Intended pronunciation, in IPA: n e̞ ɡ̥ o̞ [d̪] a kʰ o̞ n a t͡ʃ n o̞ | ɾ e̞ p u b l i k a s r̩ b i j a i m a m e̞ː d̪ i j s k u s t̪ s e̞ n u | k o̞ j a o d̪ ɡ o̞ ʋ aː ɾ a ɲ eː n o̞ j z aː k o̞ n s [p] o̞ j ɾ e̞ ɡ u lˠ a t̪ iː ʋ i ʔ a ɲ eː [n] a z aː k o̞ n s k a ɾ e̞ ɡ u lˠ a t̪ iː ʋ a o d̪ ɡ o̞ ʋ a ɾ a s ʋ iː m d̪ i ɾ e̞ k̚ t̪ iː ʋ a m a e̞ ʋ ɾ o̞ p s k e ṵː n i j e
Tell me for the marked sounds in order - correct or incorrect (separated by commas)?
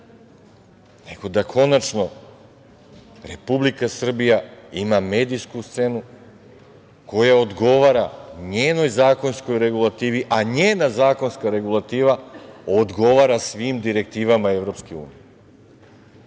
correct, incorrect, correct